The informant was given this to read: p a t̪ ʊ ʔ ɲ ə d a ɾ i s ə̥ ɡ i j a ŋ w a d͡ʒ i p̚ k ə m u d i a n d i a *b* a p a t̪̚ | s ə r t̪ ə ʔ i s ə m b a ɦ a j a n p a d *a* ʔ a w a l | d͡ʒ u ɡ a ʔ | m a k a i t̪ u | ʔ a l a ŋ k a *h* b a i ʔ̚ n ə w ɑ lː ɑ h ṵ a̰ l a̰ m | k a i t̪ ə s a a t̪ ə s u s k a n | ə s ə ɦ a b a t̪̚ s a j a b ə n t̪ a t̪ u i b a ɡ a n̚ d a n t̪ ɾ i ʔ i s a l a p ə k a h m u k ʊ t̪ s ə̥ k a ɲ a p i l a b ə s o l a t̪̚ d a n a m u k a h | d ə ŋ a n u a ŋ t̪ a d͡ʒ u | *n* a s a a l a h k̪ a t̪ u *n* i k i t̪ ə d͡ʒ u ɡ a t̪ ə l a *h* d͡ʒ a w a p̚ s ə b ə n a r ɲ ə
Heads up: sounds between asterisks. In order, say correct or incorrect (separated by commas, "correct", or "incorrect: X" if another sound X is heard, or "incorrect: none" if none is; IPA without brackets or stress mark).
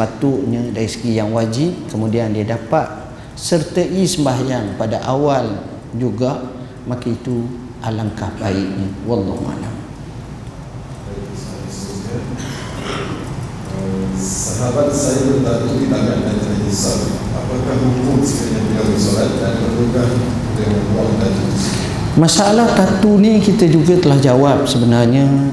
incorrect: d, correct, correct, incorrect: m, correct, correct